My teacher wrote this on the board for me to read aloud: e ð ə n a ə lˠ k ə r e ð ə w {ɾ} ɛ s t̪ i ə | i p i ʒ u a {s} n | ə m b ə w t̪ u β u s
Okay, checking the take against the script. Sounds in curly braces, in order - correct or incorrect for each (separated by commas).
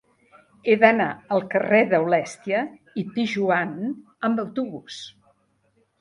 incorrect, incorrect